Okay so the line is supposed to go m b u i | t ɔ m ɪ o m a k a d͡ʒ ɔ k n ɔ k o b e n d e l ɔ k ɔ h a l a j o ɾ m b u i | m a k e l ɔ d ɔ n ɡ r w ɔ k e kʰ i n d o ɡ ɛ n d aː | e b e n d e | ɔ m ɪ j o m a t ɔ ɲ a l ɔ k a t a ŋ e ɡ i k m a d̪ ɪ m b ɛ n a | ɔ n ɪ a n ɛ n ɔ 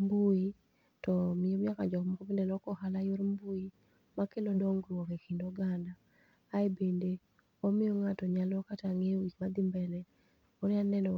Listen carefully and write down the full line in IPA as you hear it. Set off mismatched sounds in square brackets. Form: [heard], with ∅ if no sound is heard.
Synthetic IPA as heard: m b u i | t ɔ m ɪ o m a k a d͡ʒ ɔ k [m] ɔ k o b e n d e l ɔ k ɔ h a l a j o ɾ m b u i | m a k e l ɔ d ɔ [ŋ] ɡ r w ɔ k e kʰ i n d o ɡ [a] n d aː | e b e n d e | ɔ m ɪ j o [ŋ] a t ɔ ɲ a l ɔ k a t a ŋ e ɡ i k m a d̪ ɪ m b ɛ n [ɛ] | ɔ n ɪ a n ɛ n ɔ